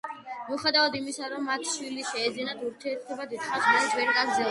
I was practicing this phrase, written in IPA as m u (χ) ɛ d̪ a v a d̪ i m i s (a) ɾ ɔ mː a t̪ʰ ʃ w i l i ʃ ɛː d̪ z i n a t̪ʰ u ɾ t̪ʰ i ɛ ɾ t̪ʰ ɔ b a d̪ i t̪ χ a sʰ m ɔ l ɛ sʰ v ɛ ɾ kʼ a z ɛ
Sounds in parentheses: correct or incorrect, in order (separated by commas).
correct, correct